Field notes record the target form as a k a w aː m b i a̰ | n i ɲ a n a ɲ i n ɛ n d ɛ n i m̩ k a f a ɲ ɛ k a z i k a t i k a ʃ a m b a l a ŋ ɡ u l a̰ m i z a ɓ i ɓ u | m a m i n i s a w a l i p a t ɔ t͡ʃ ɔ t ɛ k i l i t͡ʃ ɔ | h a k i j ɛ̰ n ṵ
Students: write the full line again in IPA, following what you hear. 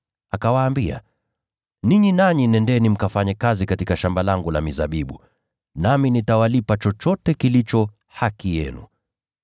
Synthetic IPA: a k a w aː m b i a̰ | n i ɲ i n a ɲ i n ɛ n d ɛ n i m̩ k a f a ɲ ɛ k a z i k a t i k a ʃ a m b a l a ŋ ɡ u l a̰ m i z a ɓ i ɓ u | n a m i n i t a w a l i p a t͡ʃ ɔ t͡ʃ ɔ t ɛ k i l i t͡ʃ ɔ | h a k i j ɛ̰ n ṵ